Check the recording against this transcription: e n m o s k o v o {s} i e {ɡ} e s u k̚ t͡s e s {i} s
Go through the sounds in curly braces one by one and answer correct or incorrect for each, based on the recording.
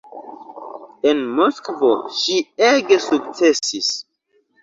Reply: incorrect: ʃ, correct, correct

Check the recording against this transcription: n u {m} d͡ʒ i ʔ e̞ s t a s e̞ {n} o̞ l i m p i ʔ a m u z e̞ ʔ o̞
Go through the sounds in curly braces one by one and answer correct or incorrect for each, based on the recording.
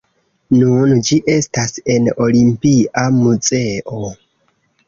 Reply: incorrect: n, correct

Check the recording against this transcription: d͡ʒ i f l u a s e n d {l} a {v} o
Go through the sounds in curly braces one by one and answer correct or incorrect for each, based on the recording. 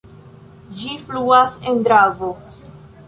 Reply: incorrect: ɾ, correct

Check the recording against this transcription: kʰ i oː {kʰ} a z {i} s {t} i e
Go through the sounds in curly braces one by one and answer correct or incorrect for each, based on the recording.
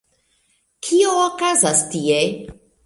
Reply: incorrect: k, incorrect: a, correct

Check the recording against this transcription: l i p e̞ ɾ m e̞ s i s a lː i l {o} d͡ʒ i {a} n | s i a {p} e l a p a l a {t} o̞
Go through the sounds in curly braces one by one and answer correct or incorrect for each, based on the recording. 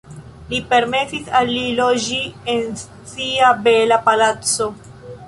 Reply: correct, incorrect: e, incorrect: b, incorrect: t͡s

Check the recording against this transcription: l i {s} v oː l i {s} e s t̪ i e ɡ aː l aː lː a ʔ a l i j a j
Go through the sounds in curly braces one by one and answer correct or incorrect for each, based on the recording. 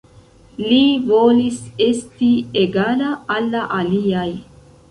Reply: incorrect: none, correct

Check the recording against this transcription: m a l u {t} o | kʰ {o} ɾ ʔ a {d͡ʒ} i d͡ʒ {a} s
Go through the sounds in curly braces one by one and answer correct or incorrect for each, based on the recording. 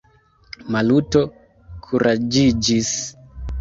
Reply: correct, incorrect: u, correct, incorrect: i

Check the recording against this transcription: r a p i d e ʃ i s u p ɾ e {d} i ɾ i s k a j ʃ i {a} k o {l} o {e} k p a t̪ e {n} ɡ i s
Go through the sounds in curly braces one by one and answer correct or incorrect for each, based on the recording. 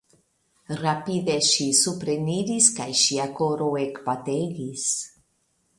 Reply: incorrect: n, correct, incorrect: ɾ, correct, incorrect: none

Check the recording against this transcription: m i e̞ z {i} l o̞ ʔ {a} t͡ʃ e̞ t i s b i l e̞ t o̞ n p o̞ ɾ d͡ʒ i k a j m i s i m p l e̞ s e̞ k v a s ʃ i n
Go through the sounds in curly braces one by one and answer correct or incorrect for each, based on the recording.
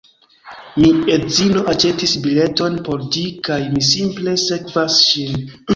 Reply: correct, correct

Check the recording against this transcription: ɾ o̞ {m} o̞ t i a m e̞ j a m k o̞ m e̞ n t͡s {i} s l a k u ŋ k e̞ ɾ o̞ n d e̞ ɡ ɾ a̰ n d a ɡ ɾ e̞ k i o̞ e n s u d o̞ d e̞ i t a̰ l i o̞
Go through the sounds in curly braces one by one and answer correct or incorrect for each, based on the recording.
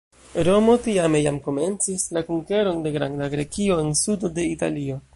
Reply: correct, correct

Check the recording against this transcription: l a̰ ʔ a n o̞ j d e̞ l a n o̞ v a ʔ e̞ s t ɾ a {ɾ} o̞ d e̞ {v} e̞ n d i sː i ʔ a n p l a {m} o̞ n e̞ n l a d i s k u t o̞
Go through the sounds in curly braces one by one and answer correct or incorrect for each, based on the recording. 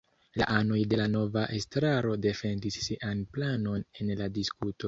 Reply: correct, incorrect: f, incorrect: n

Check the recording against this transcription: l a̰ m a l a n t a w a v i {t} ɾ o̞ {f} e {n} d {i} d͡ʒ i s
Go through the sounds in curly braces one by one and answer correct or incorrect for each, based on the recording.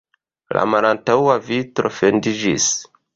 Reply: correct, correct, correct, correct

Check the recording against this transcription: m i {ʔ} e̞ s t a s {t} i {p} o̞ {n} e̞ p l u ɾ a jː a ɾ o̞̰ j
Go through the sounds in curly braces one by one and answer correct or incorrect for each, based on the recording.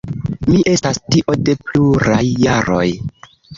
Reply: correct, correct, incorrect: ʔ, incorrect: d

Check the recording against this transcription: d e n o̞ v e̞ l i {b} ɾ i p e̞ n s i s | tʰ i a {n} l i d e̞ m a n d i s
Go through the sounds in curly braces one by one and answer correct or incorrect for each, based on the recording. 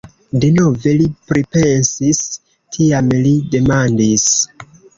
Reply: incorrect: p, incorrect: m

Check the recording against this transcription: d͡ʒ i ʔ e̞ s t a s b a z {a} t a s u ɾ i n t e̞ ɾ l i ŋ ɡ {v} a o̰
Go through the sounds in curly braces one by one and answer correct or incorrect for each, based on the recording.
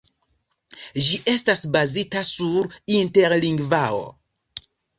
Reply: incorrect: i, correct

